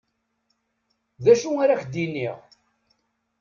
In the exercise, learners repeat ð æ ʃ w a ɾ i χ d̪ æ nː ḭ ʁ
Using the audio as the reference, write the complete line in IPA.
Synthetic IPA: ð æ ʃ u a ɾ a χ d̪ i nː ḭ ʁ